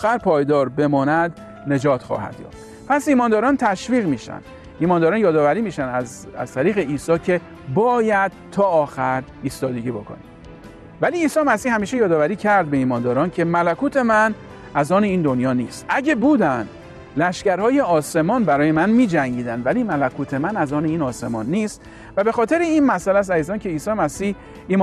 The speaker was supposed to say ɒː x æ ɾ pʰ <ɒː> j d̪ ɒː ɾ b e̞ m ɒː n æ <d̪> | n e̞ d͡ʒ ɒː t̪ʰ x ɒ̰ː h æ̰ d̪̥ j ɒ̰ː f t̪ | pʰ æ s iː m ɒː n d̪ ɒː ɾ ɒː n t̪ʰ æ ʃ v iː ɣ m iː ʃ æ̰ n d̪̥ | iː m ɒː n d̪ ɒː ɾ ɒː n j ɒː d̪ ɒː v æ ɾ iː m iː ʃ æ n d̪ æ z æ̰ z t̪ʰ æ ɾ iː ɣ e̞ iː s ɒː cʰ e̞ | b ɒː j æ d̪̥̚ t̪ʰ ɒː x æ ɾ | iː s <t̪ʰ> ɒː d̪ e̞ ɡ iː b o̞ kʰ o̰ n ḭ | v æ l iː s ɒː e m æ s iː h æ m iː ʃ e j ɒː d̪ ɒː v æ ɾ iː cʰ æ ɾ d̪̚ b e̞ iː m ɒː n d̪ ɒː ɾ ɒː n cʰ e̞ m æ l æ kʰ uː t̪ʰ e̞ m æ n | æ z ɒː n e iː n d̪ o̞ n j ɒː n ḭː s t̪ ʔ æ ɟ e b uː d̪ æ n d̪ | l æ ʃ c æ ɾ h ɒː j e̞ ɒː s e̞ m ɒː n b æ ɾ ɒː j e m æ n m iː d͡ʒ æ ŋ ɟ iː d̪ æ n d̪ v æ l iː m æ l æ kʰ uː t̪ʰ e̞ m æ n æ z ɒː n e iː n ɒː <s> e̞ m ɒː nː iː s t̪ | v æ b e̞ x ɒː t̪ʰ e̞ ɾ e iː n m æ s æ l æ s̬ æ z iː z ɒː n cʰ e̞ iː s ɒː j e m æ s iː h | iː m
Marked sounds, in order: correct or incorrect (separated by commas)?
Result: correct, correct, incorrect, correct